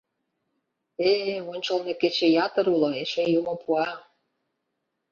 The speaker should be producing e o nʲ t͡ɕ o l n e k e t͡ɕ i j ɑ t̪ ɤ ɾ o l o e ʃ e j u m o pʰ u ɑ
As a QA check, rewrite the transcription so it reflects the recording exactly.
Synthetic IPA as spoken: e o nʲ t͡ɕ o l n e k e t͡ɕ e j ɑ t̪ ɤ ɾ u l o e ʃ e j u m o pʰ u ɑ